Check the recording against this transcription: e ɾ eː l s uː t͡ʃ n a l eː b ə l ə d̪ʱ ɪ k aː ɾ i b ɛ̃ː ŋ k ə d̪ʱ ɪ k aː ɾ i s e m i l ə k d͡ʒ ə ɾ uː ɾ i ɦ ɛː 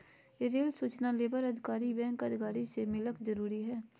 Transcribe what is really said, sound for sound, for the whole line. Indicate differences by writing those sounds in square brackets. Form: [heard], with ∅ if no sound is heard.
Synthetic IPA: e ɾ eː l s uː t͡ʃ n a l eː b ə [ɾ] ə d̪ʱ ɪ k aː ɾ i b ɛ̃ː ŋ k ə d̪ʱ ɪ k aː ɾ i s e m [ɪ] l ə k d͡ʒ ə ɾ uː ɾ i ɦ ɛː